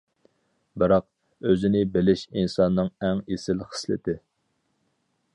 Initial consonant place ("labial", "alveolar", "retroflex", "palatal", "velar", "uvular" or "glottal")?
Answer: labial